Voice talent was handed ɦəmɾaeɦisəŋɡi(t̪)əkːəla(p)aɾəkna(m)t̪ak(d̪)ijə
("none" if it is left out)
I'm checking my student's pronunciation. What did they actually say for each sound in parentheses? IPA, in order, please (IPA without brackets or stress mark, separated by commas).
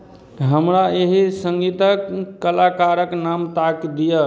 t̪, k, m, d̪